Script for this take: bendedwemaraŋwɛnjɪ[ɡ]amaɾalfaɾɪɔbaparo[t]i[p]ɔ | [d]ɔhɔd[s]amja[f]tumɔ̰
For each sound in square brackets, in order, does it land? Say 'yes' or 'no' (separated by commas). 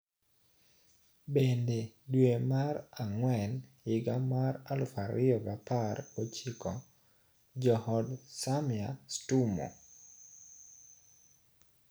yes, no, no, no, yes, no